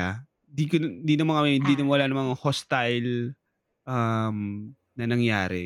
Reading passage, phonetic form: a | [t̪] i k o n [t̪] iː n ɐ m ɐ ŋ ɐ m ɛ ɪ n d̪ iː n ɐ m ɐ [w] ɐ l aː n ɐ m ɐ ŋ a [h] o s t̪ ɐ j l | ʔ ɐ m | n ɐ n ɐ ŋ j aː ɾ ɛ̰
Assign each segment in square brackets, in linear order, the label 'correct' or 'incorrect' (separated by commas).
incorrect, incorrect, correct, correct